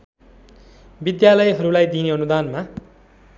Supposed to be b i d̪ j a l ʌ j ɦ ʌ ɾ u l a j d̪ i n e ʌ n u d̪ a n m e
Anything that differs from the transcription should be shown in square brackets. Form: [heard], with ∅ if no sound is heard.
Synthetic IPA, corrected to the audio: b i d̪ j a l ʌ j ɦ ʌ ɾ u l a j d̪ i n e ʌ n u d̪ a n m [a]